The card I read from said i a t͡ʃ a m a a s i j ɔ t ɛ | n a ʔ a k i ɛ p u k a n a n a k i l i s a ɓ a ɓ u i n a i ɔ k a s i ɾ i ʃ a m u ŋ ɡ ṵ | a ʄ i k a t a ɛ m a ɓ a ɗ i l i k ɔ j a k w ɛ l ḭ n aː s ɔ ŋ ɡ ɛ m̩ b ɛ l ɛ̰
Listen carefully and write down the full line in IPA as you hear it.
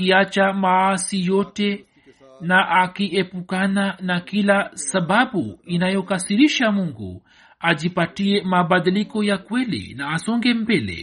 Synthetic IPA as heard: i a t͡ʃ a m a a s i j ɔ t ɛ | n a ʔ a k i ɛ p u k a n a n a k i l a s a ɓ a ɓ u i n a j ɔ k a s i ɾ i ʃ a m u ŋ ɡ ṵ | a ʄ i p a t i ɛ m a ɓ a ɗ i l i k ɔ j a k w ɛ l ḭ n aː s ɔ ŋ ɡ ɛ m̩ b ɛ l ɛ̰